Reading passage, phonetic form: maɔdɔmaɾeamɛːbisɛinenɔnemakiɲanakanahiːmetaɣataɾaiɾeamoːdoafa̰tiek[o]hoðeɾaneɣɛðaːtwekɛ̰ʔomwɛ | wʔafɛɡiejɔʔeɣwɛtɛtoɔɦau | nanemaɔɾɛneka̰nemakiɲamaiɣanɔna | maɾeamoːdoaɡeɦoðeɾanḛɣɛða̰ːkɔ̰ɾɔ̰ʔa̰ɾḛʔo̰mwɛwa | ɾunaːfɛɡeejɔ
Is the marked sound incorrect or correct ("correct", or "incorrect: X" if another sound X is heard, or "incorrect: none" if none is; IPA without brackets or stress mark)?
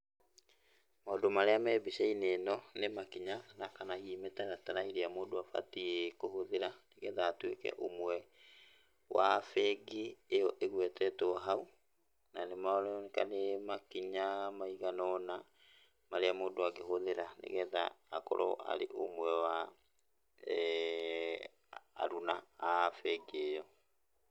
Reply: correct